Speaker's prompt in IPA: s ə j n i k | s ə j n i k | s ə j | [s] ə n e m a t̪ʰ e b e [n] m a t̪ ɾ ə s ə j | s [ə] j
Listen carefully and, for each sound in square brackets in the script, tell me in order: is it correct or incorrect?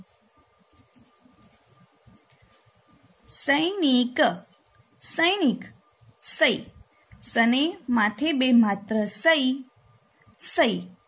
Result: correct, incorrect: none, correct

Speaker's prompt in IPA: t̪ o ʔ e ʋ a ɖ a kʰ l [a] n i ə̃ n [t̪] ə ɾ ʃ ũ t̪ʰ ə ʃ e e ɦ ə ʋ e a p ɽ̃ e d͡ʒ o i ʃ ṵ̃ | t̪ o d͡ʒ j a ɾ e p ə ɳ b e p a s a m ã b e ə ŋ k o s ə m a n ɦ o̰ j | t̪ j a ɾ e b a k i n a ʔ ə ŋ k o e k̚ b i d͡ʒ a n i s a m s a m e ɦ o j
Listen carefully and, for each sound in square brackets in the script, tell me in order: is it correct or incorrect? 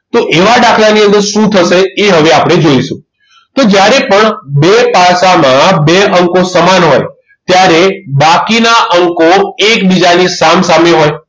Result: correct, incorrect: d̪

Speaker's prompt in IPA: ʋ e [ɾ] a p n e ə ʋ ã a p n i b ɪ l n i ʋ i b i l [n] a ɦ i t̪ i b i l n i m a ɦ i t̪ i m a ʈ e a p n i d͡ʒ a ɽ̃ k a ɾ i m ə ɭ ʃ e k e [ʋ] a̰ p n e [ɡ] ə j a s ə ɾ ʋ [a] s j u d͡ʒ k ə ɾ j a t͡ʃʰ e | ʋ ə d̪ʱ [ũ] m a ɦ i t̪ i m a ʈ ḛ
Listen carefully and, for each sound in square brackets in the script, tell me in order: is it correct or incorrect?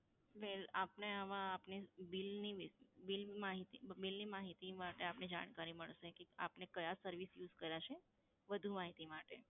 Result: incorrect: l, incorrect: m, incorrect: none, incorrect: k, incorrect: i, incorrect: u

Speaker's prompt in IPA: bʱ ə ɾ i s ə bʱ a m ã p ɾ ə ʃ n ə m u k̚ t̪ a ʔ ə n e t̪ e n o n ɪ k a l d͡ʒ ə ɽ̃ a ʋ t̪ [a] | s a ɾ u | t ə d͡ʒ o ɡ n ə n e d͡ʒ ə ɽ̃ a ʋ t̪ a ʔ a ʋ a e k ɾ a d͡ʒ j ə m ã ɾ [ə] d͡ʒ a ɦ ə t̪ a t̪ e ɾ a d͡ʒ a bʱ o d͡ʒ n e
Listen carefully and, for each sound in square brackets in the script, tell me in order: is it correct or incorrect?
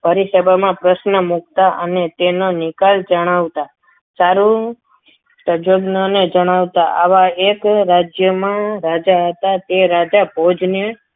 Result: correct, incorrect: a

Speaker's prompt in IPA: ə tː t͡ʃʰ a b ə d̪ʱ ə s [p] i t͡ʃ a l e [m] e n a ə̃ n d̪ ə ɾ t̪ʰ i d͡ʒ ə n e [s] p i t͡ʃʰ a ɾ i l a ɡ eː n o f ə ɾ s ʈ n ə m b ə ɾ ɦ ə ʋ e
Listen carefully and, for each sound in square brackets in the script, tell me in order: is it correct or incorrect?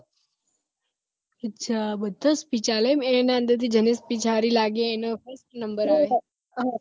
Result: correct, correct, correct

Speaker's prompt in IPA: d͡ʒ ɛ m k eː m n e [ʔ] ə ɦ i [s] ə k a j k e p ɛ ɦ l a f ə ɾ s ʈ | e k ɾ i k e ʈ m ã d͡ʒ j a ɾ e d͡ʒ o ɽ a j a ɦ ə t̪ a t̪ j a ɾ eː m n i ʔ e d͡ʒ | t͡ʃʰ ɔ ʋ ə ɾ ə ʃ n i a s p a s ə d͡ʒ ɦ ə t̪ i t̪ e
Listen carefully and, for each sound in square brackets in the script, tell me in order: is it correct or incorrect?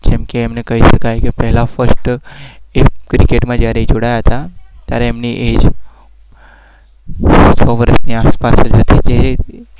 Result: incorrect: k, incorrect: ʃ

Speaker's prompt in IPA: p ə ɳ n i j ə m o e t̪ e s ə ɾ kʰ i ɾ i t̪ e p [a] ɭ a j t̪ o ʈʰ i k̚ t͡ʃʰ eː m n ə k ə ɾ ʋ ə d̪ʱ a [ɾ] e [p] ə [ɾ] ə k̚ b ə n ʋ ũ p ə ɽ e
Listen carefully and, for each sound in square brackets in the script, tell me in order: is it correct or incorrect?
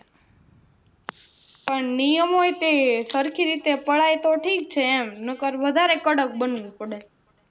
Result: incorrect: ə, correct, incorrect: k, incorrect: ɽ

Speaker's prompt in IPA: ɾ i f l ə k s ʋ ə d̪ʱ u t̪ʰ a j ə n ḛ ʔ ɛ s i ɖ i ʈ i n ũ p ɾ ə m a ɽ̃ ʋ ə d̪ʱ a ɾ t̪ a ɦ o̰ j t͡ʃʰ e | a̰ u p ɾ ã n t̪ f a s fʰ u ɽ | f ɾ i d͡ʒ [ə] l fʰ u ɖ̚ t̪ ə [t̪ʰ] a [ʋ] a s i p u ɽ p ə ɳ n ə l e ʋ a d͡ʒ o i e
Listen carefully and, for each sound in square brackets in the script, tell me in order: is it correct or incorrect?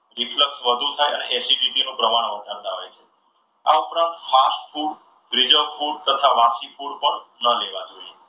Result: correct, correct, correct

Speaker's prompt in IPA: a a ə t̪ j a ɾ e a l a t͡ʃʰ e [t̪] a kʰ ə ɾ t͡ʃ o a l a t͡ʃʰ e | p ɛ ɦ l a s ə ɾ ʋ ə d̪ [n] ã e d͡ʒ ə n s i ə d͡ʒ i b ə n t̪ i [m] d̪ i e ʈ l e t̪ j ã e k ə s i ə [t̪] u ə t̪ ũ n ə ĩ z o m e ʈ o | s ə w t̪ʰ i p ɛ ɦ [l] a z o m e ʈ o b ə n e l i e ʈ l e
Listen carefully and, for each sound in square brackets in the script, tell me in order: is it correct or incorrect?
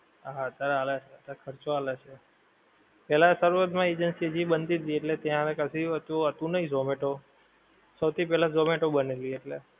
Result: correct, incorrect: m, incorrect: none, correct, correct

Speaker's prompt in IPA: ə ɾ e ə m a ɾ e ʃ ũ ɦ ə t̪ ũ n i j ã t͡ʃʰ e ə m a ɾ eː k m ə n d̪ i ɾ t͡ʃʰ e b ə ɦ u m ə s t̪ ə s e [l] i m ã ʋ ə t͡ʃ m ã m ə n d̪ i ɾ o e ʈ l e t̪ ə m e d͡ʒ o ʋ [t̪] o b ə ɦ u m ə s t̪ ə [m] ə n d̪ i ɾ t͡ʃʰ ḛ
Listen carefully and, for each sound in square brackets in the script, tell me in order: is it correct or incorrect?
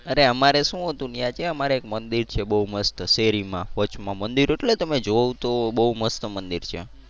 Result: incorrect: ɾ, correct, correct

